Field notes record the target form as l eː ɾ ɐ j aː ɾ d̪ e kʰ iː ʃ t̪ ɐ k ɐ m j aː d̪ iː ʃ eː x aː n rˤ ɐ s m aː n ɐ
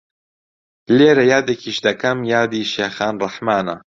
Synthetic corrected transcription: l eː ɾ ɐ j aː d̪ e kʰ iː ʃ d̪ ɐ k ɐ m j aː d̪ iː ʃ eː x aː n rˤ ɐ ħ m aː n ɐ